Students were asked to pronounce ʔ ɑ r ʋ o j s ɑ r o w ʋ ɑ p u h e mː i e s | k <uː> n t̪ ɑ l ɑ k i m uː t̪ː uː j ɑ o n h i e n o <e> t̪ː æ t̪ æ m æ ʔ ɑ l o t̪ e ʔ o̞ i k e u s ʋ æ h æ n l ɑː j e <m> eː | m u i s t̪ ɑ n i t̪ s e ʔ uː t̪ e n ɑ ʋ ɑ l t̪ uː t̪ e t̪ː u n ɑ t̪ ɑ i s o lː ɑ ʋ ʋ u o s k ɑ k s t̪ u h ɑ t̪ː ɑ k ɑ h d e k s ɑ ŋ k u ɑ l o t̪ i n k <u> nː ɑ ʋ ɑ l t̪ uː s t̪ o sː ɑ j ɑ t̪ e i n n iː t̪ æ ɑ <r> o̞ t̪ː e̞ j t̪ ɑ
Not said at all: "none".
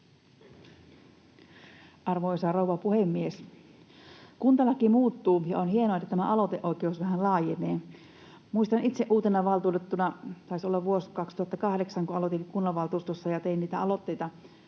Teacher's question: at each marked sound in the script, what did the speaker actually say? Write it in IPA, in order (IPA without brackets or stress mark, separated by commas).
u, e, n, u, l